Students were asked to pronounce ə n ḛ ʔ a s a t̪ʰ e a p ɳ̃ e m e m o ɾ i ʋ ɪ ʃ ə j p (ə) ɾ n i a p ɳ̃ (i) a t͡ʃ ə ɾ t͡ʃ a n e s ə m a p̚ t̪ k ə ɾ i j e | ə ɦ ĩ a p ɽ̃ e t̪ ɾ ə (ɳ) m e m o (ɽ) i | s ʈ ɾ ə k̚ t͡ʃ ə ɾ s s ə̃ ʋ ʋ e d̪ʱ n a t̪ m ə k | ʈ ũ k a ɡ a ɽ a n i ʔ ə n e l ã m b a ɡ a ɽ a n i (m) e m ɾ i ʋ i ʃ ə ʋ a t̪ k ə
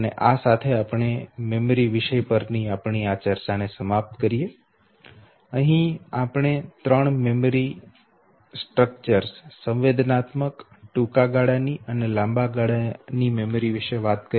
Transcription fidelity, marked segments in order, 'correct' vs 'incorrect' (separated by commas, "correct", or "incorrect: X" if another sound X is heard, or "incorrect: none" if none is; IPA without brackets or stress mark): correct, correct, correct, incorrect: ɾ, correct